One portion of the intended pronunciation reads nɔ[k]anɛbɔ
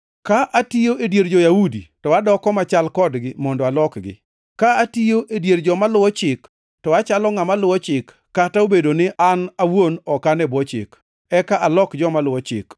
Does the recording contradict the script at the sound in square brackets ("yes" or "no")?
no